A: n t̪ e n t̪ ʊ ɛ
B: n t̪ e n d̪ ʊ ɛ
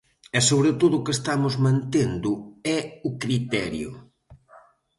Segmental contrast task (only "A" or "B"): B